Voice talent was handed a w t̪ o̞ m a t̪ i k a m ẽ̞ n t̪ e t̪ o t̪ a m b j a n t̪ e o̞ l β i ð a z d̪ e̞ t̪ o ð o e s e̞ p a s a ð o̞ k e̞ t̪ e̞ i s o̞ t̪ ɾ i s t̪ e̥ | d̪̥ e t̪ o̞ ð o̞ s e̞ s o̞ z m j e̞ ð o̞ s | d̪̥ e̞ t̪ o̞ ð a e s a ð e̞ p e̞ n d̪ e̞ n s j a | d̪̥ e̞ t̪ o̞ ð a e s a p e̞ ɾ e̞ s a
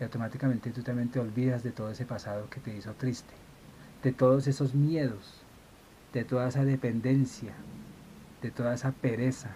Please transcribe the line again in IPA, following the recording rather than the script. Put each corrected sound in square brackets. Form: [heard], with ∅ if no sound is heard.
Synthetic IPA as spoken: a w t̪ o̞ m a t̪ i k a m [e̞] n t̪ e t̪ [u] t̪ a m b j [e] n t̪ e o̞ l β i ð a z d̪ e̞ t̪ o ð o e s e̞ p a s a ð o̞ k e̞ t̪ e̞ i s o̞ t̪ ɾ i s t̪ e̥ | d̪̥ e t̪ o̞ ð o̞ s e̞ s o̞ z m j e̞ ð o̞ s | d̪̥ e̞ t̪ o̞ ð a e s a ð e̞ p e̞ n d̪ e̞ n s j a | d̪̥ e̞ t̪ o̞ ð a e s a p e̞ ɾ e̞ s a

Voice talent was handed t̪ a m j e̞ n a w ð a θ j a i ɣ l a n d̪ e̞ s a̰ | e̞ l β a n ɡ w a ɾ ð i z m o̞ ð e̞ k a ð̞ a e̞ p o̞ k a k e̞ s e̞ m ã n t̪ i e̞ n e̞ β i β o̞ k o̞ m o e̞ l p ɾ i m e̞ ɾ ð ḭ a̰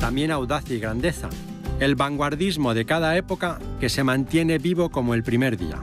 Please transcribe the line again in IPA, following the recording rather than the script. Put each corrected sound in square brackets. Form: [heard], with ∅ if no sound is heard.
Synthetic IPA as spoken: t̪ a m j e̞ n a w ð a θ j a i ɣ [ɾ] a n d̪ e̞ [θ] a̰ | e̞ l β a [ŋ] ɡ w a ɾ ð i z m o̞ ð e̞ k a ð̞ a e̞ p o̞ k a k e̞ s e̞ m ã n t̪ [j] e̞ n e̞ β i β o̞ k o̞ m o e̞ l p ɾ i m e̞ ɾ ð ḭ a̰

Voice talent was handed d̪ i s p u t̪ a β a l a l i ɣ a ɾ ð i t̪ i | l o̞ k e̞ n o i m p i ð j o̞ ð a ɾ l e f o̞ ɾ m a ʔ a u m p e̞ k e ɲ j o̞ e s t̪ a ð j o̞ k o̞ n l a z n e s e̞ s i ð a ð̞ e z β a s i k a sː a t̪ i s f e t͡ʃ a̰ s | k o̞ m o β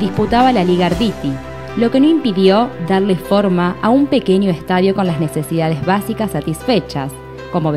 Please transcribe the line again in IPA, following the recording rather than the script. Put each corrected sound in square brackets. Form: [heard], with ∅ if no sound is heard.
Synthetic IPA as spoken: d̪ i s p u t̪ a β a l a l i ɣ a ɾ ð i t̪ i | l o̞ k e̞ n o i m p i ð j o̞ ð a ɾ l e f o̞ ɾ m a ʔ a u m p e̞ k e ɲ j o̞ e s t̪ a ð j o̞ k o̞ n l a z n e s e̞ s i ð a ð̞ e z β a s i k a sː a t̪ i s f e t͡ʃ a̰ s | k o̞ m o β

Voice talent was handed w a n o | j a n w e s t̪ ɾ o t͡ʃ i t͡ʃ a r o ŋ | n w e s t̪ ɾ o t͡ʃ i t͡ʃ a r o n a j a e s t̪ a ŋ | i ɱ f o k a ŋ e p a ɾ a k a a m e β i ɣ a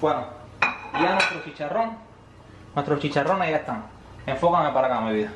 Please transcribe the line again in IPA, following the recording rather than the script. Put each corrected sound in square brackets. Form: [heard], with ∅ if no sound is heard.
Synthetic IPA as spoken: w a n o | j a n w e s t̪ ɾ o t͡ʃ i t͡ʃ a r o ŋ | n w e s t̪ ɾ o t͡ʃ i t͡ʃ a r o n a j a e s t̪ a ŋ | [e] ɱ f o k a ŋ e p a ɾ a k a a m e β i [ð] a

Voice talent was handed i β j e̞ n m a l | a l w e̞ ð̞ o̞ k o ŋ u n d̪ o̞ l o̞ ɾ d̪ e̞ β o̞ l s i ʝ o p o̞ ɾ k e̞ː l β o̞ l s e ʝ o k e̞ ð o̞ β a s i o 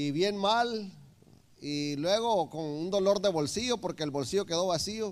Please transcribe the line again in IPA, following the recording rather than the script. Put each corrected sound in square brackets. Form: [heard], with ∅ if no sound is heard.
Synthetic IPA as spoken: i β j e̞ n m a l | [i] l w e̞ [ɣ̞] o̞ k o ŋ u n d̪ o̞ l o̞ ɾ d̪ e̞ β o̞ l s i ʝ o p o̞ ɾ k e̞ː l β o̞ l s [i] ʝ o k e̞ ð o̞ β a s i o

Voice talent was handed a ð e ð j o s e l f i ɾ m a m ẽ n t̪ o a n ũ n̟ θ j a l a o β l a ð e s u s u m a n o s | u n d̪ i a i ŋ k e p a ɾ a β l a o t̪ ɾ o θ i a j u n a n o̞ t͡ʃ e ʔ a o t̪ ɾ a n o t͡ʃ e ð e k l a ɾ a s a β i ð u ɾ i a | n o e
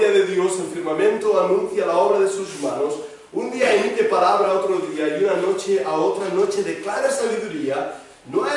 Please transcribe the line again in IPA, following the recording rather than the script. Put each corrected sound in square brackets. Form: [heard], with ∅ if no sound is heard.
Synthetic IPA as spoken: a ð e ð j o s e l f i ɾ m a m ẽ n t̪ o a n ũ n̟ θ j a l a o β [ɾ] a ð e s u s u m a n o s | u n d̪ i a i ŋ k e p a ɾ a β l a o t̪ ɾ o [ð] i a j u n a n o̞ t͡ʃ e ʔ a o t̪ ɾ a n o t͡ʃ e ð e k l a ɾ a s a β i ð u ɾ i a | n o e

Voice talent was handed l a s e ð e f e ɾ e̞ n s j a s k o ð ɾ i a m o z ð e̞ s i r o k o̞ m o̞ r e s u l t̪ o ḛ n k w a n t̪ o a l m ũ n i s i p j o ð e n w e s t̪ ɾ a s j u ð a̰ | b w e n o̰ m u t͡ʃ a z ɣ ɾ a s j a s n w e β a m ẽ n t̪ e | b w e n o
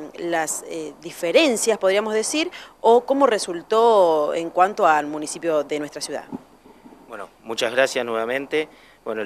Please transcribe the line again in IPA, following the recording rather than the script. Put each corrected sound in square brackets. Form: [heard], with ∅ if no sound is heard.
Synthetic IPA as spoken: l a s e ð [i] f e ɾ e̞ n s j a s [p] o ð ɾ i a m o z ð e̞ s i [ɾ] o k o̞ m o̞ r e s u l t̪ o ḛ [ŋ] k w a n t̪ o a l m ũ n i s i p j o ð e n w e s t̪ ɾ a s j u ð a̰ | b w e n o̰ m u t͡ʃ a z ɣ ɾ a s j a s n w e β a m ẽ n t̪ e | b w e n o

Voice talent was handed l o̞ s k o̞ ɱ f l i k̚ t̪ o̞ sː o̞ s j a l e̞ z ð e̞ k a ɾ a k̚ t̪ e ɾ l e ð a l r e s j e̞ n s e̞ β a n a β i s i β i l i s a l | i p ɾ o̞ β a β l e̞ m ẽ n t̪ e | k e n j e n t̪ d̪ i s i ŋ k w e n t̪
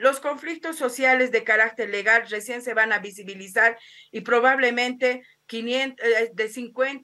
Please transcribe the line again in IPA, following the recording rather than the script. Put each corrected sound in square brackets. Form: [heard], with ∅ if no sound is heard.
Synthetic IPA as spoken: l o̞ s k o̞ ɱ f l i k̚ t̪ o̞ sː o̞ s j a l e̞ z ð e̞ k a ɾ a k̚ t̪ e ɾ l e [ɣ] a l r e s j e̞ n s e̞ β a n a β i s i β i l i s a [ɾ] | i p ɾ o̞ β a β l e̞ m ẽ n t̪ e | k [i] n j e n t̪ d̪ [e] s i ŋ k w e n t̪

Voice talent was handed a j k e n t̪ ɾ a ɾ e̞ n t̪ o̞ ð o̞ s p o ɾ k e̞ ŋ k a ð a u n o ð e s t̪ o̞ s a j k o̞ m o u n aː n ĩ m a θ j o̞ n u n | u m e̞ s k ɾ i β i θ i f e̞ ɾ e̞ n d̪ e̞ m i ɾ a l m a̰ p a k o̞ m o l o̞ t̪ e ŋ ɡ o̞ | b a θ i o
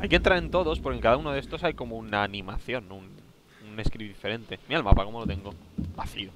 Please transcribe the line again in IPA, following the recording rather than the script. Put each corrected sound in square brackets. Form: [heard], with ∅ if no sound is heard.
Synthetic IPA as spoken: a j k e n t̪ ɾ a ɾ e̞ n t̪ o̞ ð o̞ s p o ɾ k e̞ ŋ k a ð a u n o ð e s t̪ o̞ s a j k o̞ m o u n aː n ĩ m a θ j o̞ n u n | u [n] e̞ s k ɾ i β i [ð] i f e̞ ɾ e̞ n [t̪] e̞ m i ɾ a l m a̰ p a k o̞ m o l o̞ t̪ e ŋ ɡ o̞ | b a θ i o

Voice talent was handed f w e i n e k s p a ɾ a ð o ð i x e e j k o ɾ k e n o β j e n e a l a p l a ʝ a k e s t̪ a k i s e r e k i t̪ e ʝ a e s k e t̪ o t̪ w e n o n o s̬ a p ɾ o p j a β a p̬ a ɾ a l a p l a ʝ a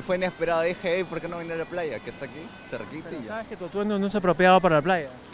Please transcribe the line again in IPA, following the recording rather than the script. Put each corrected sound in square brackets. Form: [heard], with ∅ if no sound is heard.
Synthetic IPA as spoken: f w e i n e [∅] s p [e] ɾ a ð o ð i x e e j [p] o ɾ k e n o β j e n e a l a p l a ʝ a k e s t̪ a k i s e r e k i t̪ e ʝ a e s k e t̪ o t̪ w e n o n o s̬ a p ɾ o p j a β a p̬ a ɾ a l a p l a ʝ a

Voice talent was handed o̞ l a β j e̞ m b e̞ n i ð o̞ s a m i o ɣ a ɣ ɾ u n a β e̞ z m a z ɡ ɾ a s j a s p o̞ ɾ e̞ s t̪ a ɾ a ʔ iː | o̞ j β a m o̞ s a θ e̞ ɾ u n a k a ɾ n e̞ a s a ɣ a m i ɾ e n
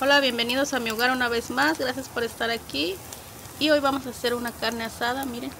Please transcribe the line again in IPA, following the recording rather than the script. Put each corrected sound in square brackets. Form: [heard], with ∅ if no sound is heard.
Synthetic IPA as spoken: o̞ l a β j e̞ m b e̞ n i ð o̞ s a m i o ɣ a [∅] ɾ u n a β e̞ z m a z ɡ ɾ a s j a s p o̞ ɾ e̞ s t̪ a ɾ a [k] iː | o̞ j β a m o̞ s a [s] e̞ ɾ u n a k a ɾ n e̞ a s a [ð] a m i ɾ e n

